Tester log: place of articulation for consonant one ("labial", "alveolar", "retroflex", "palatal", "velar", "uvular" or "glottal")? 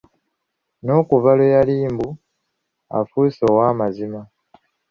alveolar